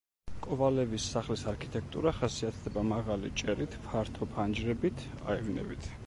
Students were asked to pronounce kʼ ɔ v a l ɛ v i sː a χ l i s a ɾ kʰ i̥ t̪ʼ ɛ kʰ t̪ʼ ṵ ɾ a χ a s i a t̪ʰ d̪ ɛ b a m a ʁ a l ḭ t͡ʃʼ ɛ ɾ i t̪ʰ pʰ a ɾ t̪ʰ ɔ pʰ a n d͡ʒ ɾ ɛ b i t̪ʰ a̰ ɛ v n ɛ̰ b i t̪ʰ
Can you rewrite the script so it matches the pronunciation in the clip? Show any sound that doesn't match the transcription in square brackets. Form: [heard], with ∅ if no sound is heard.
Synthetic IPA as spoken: kʼ ɔ v a l ɛ v i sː a χ l i s a ɾ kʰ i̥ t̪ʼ ɛ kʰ t̪ʼ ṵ ɾ a χ a s i a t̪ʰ d̪ ɛ b a m a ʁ a l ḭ t͡ʃʼ ɛ ɾ i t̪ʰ pʰ a ɾ t̪ʰ ɔ pʰ a n d͡ʒ ɾ ɛ b i t̪ʰ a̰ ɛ v n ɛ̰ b i t̪ʰ